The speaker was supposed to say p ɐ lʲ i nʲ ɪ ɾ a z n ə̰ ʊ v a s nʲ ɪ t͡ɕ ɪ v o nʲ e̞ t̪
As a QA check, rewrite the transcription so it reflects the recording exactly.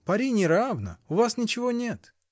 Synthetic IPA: p ɐ ɾʲ i nʲ ɪ ɾ a v n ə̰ ʊ v a s nʲ ɪ t͡ɕ ɪ v o nʲ e̞ t̪